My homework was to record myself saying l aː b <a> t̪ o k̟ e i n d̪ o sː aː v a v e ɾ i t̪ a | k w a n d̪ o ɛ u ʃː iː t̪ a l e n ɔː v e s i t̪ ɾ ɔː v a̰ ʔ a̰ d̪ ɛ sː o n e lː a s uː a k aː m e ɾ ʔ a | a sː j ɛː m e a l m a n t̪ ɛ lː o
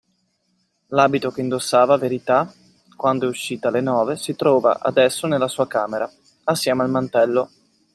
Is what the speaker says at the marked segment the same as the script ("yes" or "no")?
no